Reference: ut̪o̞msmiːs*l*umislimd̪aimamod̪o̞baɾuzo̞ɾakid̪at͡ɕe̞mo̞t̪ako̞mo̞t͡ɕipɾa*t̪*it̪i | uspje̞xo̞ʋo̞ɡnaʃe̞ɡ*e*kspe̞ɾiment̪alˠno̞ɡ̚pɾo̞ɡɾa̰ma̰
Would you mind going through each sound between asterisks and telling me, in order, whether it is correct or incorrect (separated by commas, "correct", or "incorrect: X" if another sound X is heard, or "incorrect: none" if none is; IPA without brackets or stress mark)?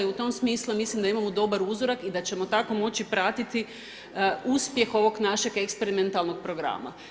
correct, correct, correct